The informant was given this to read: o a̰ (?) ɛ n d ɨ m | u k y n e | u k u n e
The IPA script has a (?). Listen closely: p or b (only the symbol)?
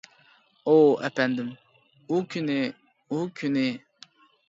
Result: p